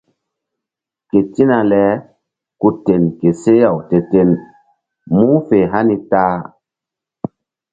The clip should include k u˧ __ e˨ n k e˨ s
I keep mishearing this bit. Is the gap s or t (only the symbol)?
t